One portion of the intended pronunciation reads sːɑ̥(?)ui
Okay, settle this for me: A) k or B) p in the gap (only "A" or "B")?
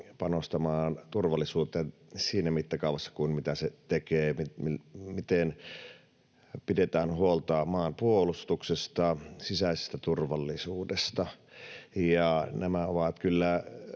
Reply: A